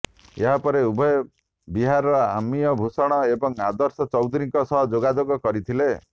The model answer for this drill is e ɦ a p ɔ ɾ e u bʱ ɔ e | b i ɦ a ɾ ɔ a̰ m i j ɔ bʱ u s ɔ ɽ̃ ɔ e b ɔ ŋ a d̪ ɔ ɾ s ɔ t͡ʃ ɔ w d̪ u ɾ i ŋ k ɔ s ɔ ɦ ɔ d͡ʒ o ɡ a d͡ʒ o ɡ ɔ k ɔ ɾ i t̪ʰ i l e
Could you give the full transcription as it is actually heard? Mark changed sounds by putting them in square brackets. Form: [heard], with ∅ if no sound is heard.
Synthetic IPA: e ɦ a p ɔ ɾ e u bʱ ɔ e | b i ɦ a ɾ ɔ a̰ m i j ɔ bʱ u s ɔ ɽ̃ ɔ e b ɔ ŋ a d̪ ɔ ɾ s ɔ t͡ʃ ɔ w d̪ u ɾ i ŋ k ɔ s ɔ ɦ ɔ d͡ʒ o ɡ a d͡ʒ o ɡ ɔ k ɔ ɾ i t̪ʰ i l e